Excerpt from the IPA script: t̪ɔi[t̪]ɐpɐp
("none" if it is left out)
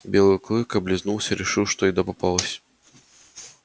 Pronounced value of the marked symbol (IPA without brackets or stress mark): d̪